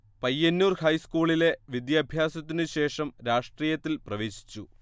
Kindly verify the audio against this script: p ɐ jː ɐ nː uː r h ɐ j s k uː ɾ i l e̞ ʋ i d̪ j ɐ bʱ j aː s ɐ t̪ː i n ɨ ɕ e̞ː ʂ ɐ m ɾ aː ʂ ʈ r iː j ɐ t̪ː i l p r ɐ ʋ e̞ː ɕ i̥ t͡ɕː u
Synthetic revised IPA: p ɐ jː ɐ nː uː r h ɐ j s k uː ɭ i l e̞ ʋ i d̪ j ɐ bʱ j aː s ɐ t̪ː i n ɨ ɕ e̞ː ʂ ɐ m ɾ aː ʂ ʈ r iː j ɐ t̪ː i l p r ɐ ʋ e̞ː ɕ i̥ t͡ɕː u